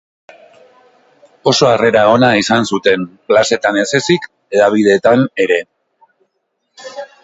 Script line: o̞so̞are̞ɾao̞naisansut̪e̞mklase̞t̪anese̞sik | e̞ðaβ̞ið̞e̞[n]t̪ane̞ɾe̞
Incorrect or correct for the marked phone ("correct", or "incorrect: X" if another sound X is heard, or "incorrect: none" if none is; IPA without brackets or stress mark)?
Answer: incorrect: none